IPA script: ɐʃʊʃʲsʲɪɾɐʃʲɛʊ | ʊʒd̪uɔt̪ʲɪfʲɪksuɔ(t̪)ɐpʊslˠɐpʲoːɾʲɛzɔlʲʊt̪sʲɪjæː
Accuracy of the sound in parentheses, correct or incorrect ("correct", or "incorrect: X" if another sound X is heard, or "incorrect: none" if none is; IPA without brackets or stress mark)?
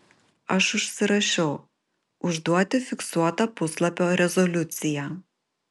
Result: correct